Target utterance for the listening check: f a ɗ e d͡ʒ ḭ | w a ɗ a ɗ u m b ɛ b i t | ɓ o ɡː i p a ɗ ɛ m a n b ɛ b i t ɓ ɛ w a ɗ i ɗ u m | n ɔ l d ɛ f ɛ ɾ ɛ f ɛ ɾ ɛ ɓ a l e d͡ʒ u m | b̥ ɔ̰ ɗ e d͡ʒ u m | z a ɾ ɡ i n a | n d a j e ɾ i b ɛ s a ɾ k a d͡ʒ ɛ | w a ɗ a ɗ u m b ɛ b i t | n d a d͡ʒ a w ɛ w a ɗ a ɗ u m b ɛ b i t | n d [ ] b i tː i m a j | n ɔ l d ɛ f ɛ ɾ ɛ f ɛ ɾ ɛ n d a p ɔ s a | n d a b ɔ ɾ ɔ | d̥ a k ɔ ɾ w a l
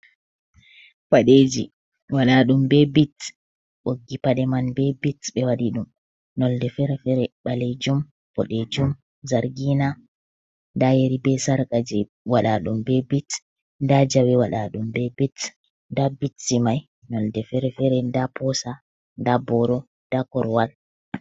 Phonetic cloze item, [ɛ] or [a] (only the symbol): a